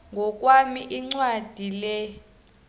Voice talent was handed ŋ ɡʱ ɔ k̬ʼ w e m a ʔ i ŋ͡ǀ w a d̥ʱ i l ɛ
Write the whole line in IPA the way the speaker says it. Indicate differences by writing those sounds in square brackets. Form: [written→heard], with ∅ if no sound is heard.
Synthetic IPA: ŋ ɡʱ ɔ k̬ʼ w [e→a] m [a→i] ʔ i ŋ͡ǀ w a d̥ʱ i l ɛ